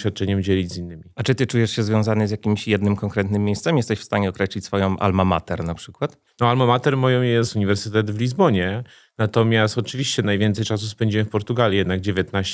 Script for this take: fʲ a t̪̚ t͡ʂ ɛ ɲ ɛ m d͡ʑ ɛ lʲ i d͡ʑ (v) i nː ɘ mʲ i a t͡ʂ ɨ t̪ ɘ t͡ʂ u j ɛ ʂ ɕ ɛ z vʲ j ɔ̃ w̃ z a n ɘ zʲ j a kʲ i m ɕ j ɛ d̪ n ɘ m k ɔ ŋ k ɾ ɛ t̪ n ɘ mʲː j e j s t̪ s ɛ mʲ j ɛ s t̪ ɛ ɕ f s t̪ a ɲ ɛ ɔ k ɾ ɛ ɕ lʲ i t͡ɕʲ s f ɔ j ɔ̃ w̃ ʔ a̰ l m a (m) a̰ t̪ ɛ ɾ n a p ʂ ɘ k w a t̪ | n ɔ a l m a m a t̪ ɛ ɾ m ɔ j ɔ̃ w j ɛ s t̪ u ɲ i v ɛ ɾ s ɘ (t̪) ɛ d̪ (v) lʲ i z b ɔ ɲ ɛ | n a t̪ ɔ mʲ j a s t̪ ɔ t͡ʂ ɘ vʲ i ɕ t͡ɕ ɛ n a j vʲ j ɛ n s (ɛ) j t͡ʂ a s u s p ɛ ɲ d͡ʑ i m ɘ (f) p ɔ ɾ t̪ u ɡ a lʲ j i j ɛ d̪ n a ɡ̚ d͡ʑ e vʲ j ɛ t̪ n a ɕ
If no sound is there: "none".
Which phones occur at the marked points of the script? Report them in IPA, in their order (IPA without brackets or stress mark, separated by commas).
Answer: z, m, t̪, v, ɛ, f